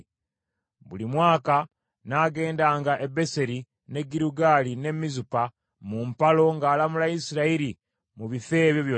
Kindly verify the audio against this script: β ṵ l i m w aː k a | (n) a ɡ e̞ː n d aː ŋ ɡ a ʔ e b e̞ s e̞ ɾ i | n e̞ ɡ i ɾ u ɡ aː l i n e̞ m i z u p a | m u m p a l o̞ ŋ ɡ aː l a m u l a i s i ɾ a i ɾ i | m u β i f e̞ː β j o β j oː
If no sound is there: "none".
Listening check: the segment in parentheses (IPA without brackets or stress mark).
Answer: n